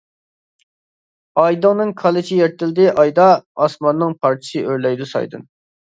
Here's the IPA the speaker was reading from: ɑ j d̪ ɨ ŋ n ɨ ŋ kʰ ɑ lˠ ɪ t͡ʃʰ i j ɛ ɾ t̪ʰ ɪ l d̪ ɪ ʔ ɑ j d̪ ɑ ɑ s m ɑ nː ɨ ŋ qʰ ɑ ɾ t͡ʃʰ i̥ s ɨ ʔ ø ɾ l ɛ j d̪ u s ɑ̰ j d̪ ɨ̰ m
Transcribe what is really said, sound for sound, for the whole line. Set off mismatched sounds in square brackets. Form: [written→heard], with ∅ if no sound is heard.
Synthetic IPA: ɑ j d̪ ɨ ŋ n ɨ ŋ kʰ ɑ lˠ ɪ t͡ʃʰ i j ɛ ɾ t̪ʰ ɪ l d̪ ɪ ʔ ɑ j d̪ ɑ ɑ s m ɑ nː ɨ ŋ [qʰ→pʰ] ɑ ɾ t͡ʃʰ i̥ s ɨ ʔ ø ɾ l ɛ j d̪ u s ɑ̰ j d̪ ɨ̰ [m→n]